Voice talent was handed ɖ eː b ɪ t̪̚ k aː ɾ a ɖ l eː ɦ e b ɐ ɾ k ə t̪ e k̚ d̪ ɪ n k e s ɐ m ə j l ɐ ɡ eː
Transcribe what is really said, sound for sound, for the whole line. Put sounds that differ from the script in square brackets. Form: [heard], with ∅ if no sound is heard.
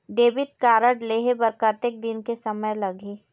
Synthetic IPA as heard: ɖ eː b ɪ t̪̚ k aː ɾ [ə] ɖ l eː ɦ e b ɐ ɾ k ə t̪ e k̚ d̪ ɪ n k e s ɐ m ə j l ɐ ɡ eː